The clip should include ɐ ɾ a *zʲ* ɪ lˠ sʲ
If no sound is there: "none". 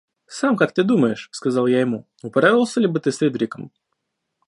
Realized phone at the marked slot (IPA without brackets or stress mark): vʲ